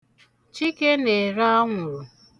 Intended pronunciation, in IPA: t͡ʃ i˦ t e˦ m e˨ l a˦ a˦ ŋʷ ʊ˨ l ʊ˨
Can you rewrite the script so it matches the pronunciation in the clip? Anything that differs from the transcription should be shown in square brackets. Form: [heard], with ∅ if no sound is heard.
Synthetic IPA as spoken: t͡ʃ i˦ [k] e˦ [n] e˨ [ɾ] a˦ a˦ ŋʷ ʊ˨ [ɾ] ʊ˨